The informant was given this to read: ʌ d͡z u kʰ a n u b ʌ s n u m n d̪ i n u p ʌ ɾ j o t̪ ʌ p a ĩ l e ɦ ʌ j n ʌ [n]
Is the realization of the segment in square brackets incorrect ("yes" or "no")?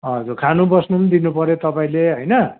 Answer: yes